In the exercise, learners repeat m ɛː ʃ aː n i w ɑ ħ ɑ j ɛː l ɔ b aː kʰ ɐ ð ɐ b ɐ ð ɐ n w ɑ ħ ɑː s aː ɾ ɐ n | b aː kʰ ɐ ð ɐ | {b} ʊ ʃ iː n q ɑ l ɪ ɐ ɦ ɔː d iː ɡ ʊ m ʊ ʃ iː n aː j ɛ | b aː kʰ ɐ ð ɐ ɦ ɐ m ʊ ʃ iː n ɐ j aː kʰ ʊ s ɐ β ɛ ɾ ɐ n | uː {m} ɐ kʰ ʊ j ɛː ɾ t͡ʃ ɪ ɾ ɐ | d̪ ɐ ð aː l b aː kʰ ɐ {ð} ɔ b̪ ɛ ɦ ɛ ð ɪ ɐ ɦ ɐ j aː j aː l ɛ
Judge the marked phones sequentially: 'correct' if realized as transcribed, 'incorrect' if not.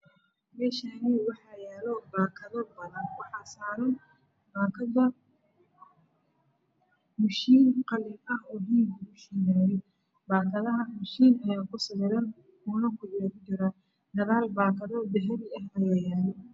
incorrect: m, incorrect: n, correct

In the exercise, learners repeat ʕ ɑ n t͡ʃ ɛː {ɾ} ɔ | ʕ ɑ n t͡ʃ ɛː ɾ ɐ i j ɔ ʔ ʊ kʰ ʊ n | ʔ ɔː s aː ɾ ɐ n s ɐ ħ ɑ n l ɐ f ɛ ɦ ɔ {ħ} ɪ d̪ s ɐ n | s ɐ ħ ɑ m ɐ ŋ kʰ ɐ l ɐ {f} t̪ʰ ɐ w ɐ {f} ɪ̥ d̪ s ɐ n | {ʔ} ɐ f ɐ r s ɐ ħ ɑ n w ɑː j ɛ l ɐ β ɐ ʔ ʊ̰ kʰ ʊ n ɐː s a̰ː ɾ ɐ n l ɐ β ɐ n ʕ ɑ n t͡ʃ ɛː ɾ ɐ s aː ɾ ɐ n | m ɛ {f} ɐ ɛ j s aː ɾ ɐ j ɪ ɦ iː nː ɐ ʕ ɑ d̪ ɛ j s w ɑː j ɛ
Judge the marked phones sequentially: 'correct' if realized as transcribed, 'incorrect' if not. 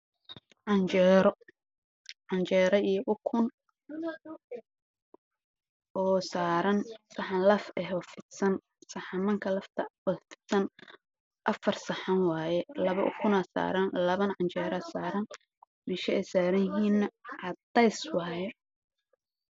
correct, incorrect: f, correct, correct, correct, incorrect: ʃ

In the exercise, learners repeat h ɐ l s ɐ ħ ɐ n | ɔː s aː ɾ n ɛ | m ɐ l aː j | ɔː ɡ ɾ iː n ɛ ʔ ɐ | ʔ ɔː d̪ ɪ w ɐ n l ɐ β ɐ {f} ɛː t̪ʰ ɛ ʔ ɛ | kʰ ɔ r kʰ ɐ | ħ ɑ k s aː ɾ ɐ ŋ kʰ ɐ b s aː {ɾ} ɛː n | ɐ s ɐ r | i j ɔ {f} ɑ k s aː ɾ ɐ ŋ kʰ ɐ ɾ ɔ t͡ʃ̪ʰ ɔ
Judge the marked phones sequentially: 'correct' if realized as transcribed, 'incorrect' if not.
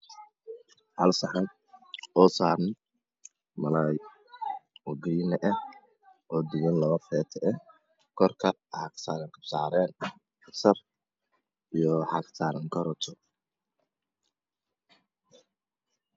correct, correct, incorrect: ħ

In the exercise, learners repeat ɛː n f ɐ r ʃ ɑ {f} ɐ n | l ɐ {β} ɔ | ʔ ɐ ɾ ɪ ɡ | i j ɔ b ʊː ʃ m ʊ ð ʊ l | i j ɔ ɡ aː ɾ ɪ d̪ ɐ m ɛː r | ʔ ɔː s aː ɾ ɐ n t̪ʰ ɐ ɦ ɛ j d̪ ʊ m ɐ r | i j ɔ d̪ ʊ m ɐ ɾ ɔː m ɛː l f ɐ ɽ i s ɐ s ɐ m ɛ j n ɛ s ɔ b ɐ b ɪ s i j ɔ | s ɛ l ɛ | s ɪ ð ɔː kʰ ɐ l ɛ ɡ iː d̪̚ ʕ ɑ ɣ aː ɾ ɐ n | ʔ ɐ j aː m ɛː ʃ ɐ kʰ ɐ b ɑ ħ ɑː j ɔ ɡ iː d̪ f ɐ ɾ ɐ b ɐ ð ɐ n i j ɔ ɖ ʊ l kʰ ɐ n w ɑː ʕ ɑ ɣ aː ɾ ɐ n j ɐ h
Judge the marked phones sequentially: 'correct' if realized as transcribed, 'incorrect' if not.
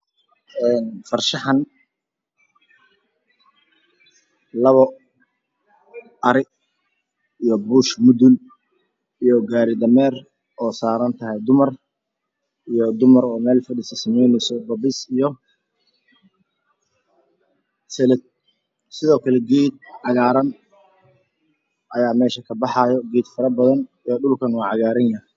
incorrect: ħ, correct

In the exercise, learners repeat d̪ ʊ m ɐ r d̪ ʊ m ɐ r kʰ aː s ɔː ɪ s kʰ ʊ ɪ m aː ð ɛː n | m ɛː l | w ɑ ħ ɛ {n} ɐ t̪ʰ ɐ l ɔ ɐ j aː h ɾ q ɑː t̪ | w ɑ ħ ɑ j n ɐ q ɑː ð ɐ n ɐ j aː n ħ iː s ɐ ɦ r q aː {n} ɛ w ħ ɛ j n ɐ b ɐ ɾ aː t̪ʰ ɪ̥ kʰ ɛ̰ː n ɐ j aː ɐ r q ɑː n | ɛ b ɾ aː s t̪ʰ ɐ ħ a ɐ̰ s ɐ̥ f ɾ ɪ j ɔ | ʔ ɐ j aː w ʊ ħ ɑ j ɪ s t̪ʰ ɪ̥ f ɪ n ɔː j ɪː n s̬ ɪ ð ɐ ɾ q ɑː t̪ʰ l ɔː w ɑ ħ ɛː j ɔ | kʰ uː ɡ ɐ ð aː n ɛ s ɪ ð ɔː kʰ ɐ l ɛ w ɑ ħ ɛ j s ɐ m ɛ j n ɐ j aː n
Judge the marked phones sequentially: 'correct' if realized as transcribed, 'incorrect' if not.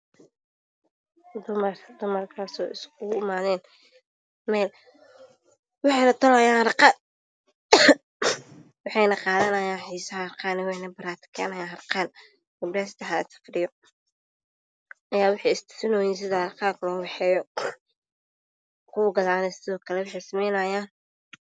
correct, correct

